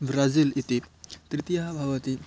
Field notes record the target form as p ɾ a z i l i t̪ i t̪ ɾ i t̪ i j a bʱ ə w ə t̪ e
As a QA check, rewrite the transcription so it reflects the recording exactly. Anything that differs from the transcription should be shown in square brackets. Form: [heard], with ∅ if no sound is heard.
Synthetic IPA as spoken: [b] ɾ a z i l i t̪ i t̪ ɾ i t̪ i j a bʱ [a] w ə t̪ [i]

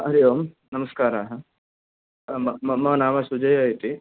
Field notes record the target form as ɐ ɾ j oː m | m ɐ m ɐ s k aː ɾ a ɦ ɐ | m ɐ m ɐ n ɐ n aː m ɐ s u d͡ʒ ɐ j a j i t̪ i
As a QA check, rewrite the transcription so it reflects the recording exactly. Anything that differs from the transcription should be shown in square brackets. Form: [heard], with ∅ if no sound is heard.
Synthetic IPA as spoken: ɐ ɾ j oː m | [n] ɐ m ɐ s k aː ɾ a ɦ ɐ | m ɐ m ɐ [m] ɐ n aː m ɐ s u d͡ʒ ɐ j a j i t̪ i

